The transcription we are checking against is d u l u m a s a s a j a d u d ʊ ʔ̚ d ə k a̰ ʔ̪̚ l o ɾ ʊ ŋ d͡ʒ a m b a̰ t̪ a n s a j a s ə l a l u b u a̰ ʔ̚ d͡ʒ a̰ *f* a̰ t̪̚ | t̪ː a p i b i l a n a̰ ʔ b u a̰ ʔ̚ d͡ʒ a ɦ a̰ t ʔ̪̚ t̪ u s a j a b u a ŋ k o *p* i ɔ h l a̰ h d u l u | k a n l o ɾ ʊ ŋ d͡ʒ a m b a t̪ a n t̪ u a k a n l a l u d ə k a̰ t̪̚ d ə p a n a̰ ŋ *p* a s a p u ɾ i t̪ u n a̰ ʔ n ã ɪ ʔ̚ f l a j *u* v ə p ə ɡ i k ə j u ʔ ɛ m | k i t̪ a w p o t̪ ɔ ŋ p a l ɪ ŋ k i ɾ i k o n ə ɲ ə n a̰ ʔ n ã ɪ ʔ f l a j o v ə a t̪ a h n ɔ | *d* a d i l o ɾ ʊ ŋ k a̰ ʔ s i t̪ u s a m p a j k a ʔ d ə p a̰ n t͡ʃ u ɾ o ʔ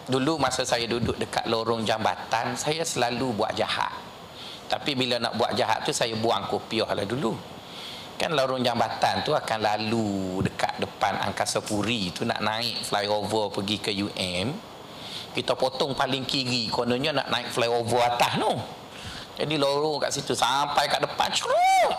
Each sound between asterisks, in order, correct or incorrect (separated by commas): incorrect, correct, incorrect, incorrect, incorrect